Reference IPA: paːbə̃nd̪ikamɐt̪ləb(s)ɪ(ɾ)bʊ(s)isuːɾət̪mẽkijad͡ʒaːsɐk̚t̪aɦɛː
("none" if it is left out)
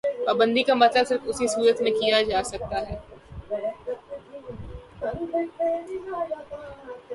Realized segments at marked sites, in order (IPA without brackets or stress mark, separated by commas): s, ɾ, s